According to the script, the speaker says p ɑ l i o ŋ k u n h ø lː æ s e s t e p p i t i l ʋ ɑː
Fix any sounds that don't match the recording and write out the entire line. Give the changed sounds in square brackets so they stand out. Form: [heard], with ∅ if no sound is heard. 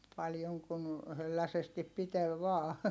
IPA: p ɑ l [j] o ŋ k u n h ø lː æ s e s t [i] p p i t [e] l ʋ ɑː